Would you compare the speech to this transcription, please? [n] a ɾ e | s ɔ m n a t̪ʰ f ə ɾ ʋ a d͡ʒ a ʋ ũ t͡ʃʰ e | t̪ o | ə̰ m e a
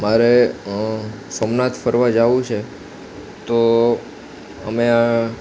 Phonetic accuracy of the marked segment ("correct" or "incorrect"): incorrect